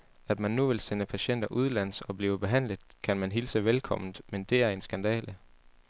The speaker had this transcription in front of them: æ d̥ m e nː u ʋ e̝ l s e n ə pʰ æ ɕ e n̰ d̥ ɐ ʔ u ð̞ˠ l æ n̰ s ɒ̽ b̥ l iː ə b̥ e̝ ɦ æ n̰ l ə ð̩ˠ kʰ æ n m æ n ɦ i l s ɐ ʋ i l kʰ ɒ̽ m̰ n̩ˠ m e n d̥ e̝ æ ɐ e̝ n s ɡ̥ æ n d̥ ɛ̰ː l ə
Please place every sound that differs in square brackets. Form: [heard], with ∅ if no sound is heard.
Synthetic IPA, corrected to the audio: æ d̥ m [æ] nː u ʋ e̝ l s e n ə pʰ æ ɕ e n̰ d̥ ɐ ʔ u ð̞ˠ l æ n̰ s ɒ̽ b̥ l iː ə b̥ e̝ ɦ æ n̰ l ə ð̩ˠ kʰ æ n m æ n ɦ i l s [ə] ʋ [e] l kʰ ɒ̽ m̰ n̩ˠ m e n d̥ e̝ æ ɐ e̝ n s ɡ̥ æ n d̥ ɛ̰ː l ə